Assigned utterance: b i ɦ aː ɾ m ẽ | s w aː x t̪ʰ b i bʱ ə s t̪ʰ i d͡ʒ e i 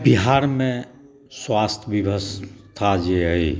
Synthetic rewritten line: b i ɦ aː ɾ m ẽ | s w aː s t̪ʰ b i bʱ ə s t̪ʰ a d͡ʒ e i